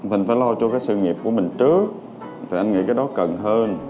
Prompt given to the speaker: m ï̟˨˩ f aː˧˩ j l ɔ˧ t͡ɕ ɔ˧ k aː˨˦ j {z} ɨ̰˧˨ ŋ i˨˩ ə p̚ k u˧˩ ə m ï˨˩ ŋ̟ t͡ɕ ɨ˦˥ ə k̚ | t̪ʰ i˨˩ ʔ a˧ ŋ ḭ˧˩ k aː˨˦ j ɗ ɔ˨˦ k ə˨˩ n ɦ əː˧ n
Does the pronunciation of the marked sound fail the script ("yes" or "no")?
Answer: yes